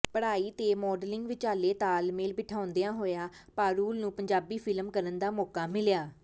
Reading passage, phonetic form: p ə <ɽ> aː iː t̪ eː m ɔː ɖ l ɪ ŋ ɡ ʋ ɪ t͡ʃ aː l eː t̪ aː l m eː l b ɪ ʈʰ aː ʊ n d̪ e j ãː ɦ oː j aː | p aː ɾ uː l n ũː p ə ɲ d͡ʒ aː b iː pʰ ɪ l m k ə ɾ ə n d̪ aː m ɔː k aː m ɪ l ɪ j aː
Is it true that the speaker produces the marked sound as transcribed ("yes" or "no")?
yes